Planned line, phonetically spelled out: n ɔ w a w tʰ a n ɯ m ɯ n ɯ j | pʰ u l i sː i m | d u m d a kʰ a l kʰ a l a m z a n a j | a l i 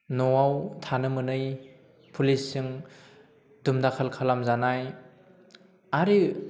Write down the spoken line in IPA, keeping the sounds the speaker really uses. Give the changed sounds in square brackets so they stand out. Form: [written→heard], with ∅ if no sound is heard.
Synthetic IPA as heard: n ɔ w a w tʰ a n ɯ m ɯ n ɯ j | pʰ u l i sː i [m→ŋ] | d u m d a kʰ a l kʰ a l a m z a n a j | a [l→ɾ] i